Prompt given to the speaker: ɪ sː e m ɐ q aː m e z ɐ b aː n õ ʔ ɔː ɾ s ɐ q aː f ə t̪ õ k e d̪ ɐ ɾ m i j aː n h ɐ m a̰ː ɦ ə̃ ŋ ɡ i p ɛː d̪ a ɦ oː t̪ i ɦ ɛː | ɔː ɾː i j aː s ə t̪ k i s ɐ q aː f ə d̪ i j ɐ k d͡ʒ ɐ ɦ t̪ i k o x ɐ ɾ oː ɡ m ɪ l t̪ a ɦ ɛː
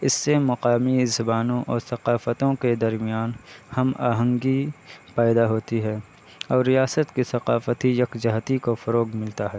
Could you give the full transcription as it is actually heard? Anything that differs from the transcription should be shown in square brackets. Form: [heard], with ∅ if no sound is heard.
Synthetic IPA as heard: ɪ sː e m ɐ q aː m [i] z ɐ b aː n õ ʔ ɔː ɾ s ɐ q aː f ə t̪ õ k e d̪ ɐ ɾ m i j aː n h ɐ m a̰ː ɦ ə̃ ŋ ɡ i p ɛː d̪ a ɦ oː t̪ i ɦ ɛː | ɔː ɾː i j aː s ə t̪ k i s ɐ q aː f ə [t̪] i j ɐ k d͡ʒ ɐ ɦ t̪ i k o [f] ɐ ɾ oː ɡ m ɪ l t̪ a ɦ ɛː

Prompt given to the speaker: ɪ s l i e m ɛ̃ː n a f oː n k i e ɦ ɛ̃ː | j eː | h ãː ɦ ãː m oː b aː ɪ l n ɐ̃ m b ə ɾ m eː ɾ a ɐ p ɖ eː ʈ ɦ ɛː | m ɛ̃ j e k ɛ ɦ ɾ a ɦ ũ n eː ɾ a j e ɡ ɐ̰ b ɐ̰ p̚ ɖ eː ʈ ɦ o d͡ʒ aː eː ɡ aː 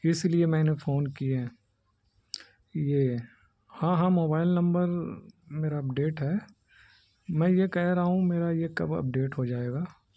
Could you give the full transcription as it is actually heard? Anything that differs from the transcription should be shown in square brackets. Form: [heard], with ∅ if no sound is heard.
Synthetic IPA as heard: ɪ s l i e m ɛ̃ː n [e] f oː n k i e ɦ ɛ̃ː | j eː | h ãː ɦ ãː m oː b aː ɪ l n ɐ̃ m b ə ɾ m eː ɾ a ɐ p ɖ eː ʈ ɦ ɛː | m ɛ̃ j e k ɛ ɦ ɾ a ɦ ũ [m] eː ɾ a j e [k] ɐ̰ b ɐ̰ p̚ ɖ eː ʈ ɦ o d͡ʒ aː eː ɡ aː

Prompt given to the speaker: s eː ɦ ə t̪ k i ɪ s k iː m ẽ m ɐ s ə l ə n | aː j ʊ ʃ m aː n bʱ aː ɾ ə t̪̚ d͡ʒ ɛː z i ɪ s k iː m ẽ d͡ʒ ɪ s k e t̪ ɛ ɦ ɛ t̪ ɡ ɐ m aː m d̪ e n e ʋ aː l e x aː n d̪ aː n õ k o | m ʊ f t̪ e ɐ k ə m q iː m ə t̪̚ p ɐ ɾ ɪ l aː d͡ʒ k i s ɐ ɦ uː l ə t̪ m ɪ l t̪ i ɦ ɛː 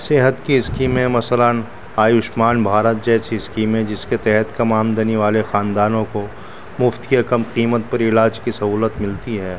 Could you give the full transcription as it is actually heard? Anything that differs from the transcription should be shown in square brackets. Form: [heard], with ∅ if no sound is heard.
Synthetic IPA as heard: s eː ɦ ə t̪ k i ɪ s k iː m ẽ m ɐ s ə l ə n | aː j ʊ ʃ m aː n bʱ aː ɾ ə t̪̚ d͡ʒ ɛː [s] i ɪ s k iː m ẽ d͡ʒ ɪ s k e t̪ ɛ ɦ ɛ t̪ [k] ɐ m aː m d̪ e n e ʋ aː l e x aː n d̪ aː n õ k o | m ʊ f t̪ [i] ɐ k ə m q iː m ə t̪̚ p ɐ ɾ ɪ l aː d͡ʒ k i s ɐ ɦ uː l ə t̪ m ɪ l t̪ i ɦ ɛː

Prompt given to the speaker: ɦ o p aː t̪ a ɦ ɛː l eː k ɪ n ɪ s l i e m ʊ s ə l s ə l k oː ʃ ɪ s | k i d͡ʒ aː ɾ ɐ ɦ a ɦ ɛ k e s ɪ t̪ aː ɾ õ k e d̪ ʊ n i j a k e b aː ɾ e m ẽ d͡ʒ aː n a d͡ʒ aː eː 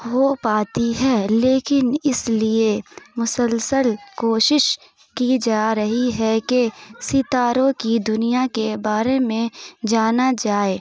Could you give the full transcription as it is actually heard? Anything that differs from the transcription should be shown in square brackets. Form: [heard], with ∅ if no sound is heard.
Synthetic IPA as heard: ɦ o p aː t̪ [i] ɦ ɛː l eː k ɪ n ɪ s l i e m ʊ s ə l s ə l k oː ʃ ɪ [ʃ] | k i d͡ʒ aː ɾ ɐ ɦ [i] ɦ ɛ k e s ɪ t̪ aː ɾ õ k [i] d̪ ʊ n i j a k e b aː ɾ e m ẽ d͡ʒ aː n a d͡ʒ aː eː

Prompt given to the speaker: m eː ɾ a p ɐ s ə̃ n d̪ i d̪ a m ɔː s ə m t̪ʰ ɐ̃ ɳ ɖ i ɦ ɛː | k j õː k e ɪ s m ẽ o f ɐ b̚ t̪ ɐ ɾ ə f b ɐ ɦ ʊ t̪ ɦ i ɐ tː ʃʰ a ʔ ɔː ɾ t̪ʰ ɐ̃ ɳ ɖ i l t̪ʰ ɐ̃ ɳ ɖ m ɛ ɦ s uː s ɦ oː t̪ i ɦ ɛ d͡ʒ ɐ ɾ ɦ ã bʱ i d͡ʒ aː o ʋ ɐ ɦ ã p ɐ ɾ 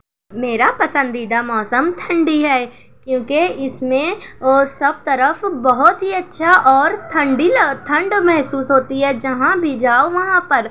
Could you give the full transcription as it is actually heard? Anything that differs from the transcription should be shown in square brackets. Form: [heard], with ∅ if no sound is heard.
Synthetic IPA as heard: m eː ɾ a p ɐ s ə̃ n d̪ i d̪ a m ɔː s ə m t̪ʰ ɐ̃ ɳ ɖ i ɦ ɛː | k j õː k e ɪ s m ẽ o [s] ɐ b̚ t̪ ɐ ɾ ə f b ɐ ɦ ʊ t̪ ɦ i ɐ tː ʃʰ a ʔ ɔː ɾ t̪ʰ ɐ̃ ɳ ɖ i l t̪ʰ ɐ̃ ɳ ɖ m ɛ ɦ s uː s ɦ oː t̪ i ɦ ɛ d͡ʒ ɐ [∅] ɦ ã bʱ i d͡ʒ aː o ʋ ɐ ɦ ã p ɐ ɾ

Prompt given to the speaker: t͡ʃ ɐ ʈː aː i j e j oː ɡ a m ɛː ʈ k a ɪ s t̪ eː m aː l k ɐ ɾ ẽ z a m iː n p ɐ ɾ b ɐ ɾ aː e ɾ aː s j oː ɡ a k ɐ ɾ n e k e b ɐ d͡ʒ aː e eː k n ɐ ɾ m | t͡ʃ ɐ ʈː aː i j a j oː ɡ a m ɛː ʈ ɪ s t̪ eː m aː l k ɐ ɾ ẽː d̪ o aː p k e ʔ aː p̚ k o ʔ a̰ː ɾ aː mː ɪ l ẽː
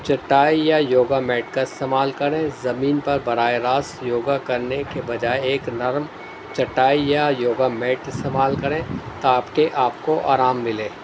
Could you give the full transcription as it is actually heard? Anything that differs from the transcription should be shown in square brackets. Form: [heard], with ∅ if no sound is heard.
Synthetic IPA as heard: t͡ʃ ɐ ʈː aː i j [a] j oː ɡ a m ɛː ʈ k a ɪ s t̪ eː m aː l k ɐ ɾ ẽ z [ɐ] m iː n p ɐ ɾ b ɐ ɾ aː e ɾ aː s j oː ɡ a k ɐ ɾ n e k e b ɐ d͡ʒ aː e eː k n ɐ ɾ m | t͡ʃ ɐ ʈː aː i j a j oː ɡ a m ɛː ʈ ɪ s t̪ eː m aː l k ɐ ɾ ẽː [t̪] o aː p k e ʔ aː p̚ k o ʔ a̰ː ɾ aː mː ɪ l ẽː

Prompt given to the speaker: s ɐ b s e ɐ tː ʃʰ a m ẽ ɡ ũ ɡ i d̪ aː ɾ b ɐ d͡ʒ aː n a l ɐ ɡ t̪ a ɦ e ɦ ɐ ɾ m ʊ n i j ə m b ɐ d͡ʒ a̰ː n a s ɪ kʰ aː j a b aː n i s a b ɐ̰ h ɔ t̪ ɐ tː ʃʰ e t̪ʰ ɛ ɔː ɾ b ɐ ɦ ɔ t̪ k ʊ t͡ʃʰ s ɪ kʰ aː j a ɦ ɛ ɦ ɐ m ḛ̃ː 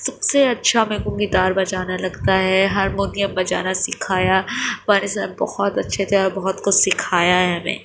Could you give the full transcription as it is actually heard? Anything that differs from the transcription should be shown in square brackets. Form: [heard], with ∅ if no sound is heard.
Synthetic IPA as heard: s ɐ b s e ɐ tː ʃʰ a m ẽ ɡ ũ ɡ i d̪ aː ɾ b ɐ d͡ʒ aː n a l ɐ ɡ t̪ a ɦ [ɛ] ɦ ɐ ɾ m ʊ n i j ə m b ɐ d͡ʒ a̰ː n a s ɪ kʰ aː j a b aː n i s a b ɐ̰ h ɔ t̪ ɐ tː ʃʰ e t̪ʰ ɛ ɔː ɾ b ɐ ɦ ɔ t̪ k ʊ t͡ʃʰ s ɪ kʰ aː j a ɦ ɛ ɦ ɐ m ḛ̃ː

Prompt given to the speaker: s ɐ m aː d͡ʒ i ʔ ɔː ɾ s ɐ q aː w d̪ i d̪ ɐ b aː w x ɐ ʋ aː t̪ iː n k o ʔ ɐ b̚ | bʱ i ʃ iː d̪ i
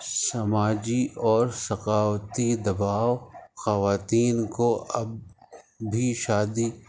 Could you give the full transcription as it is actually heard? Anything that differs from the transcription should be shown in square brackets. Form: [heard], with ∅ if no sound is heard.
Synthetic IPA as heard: s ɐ m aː d͡ʒ i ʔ ɔː ɾ s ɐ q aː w [t̪] i d̪ ɐ b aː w x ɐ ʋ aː t̪ iː n k o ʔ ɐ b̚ | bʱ i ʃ [aː] d̪ i

